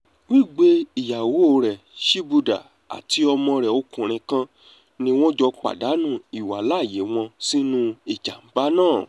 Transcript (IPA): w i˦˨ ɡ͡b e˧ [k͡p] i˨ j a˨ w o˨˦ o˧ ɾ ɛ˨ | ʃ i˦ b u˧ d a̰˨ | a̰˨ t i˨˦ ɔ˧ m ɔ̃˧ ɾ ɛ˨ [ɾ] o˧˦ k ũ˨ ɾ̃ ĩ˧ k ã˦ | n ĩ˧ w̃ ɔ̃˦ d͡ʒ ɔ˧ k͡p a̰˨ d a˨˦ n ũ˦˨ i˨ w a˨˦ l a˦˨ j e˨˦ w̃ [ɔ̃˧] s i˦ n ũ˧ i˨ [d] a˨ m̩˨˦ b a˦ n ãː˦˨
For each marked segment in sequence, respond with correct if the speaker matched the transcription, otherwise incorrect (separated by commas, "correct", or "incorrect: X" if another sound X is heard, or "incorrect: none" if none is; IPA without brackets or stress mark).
incorrect: none, incorrect: none, correct, incorrect: d͡ʒ